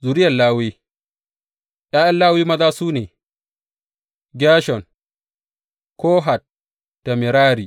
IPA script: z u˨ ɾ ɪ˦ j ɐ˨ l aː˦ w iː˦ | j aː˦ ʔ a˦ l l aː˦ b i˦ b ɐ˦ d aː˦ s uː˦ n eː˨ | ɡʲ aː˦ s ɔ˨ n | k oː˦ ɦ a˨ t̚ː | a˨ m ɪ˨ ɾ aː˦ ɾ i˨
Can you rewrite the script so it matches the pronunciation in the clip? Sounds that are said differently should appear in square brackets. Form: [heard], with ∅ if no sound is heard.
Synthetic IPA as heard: z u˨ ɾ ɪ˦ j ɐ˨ l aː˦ w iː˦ | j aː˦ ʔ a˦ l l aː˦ [w] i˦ [m] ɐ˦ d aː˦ s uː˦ n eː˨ | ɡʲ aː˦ [ʃ] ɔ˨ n | k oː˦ ɦ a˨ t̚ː | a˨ m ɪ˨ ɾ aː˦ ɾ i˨